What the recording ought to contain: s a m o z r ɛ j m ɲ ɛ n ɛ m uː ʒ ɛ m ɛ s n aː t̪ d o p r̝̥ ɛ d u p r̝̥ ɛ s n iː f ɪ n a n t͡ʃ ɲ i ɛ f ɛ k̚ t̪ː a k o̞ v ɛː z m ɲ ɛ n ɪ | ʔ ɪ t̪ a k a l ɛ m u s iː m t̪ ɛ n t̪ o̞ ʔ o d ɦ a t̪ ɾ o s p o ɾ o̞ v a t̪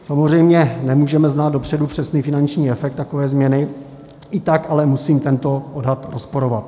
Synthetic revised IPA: s a m o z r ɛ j m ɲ ɛ n ɛ m uː ʒ ɛ m ɛ z n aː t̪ d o p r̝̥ ɛ d u p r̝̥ ɛ s n iː f ɪ n a n t͡ʃ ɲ iː ɛ f ɛ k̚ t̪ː a k o̞ v ɛː z m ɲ ɛ n ɪ | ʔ ɪ t̪ a k a l ɛ m u s iː m t̪ ɛ n t̪ o̞ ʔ o d ɦ a t̪ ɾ o s p o ɾ o̞ v a t̪